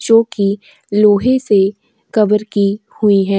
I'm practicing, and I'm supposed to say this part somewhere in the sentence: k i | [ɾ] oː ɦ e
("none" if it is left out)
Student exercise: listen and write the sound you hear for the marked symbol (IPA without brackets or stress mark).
l